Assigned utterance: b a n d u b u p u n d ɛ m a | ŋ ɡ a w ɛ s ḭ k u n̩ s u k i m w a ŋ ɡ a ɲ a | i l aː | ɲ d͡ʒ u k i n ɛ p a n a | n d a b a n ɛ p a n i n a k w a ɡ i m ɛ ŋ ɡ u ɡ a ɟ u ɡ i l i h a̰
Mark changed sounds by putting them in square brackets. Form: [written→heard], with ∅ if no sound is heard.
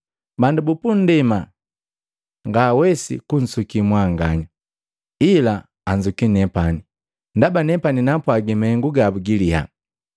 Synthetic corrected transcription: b a n d u b u p u n d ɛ m a | ŋ ɡ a w ɛ s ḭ k u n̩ s u k i m w a ŋ ɡ a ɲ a | i l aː | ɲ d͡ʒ u k i n ɛ p a n [a→i] | n d a b a n ɛ p a n i n a [k→p] w a ɡ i m ɛ ŋ ɡ u ɡ a [ɟ→b] u ɡ i l i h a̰